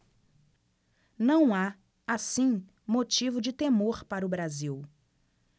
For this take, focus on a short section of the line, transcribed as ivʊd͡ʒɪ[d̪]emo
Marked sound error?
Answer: yes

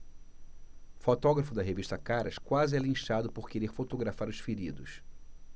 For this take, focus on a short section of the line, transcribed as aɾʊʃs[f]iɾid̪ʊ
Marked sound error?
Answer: no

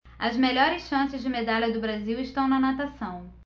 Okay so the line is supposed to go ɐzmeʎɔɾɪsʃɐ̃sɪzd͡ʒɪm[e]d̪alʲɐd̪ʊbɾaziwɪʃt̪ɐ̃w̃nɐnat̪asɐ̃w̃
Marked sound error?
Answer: no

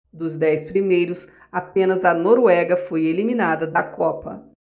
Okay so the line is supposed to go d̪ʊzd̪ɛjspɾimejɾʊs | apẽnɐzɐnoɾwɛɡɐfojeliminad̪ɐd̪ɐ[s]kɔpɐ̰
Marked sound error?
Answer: yes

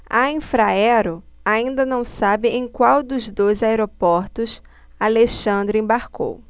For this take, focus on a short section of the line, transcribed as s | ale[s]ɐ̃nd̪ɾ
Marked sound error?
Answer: yes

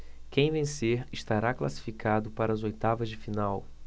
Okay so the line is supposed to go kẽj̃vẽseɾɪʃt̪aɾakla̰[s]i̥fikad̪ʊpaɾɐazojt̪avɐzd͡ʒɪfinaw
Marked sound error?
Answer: no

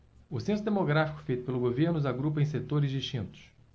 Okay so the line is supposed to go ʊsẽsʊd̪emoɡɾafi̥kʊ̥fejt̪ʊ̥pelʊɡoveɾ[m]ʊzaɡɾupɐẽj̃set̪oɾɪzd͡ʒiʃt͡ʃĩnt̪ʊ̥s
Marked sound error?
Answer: yes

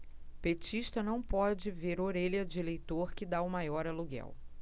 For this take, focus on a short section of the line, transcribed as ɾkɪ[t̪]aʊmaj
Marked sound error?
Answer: yes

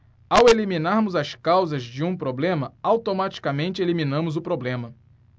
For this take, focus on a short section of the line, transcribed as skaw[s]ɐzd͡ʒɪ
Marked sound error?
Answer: yes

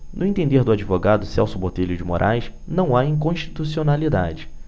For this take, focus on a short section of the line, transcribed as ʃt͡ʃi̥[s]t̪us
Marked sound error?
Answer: yes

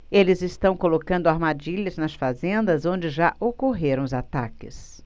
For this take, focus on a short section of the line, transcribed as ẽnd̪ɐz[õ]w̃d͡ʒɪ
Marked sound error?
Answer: no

